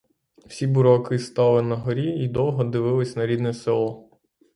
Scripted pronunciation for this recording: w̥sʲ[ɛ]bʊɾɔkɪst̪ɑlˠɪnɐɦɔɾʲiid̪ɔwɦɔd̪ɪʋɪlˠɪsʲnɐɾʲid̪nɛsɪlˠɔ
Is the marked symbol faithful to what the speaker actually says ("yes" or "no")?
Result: no